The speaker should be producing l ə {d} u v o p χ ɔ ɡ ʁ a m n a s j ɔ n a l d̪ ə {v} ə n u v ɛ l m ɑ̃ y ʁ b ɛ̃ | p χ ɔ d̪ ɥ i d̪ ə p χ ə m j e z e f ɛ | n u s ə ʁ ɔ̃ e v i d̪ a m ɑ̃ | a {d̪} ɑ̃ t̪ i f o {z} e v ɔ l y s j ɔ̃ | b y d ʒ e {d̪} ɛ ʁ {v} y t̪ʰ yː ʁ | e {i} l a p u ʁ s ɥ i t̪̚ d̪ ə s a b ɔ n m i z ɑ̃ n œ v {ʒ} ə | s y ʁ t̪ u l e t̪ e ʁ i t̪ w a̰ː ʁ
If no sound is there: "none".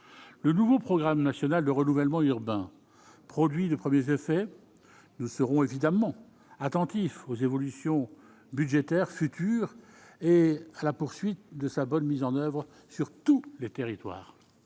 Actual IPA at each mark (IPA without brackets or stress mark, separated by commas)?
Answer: n, ʁ, t̪, z, t̪, f, a, ʁ